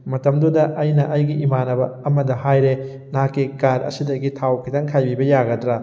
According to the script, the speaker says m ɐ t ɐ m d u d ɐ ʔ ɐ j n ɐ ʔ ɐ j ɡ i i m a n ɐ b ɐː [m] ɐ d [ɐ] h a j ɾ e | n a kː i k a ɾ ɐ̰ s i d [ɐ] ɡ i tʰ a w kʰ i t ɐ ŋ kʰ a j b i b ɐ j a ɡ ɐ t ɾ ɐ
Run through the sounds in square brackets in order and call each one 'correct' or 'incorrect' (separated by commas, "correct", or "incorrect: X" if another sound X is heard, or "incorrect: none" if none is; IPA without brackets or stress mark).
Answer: correct, correct, correct